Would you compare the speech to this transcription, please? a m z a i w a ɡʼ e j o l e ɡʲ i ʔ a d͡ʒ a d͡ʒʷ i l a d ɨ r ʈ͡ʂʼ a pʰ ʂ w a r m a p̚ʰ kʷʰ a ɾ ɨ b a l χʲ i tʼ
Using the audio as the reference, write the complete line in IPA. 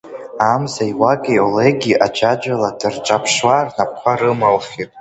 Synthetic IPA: a m z a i w a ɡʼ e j o l e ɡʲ i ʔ a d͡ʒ a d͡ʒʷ a l a d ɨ r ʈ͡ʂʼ a pʰ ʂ w a r n a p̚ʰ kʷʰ a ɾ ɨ m a l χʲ i tʼ